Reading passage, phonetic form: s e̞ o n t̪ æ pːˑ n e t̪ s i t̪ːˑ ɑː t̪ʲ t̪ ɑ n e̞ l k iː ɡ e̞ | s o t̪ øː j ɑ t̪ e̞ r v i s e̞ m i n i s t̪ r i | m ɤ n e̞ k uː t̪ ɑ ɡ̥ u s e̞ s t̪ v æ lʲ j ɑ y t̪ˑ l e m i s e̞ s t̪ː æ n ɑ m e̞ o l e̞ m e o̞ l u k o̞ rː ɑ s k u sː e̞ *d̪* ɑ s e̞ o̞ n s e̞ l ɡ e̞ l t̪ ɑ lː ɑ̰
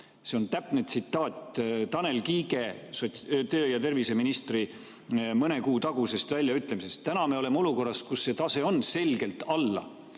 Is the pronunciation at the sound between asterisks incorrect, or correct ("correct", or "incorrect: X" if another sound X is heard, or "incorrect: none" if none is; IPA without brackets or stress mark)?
incorrect: t̪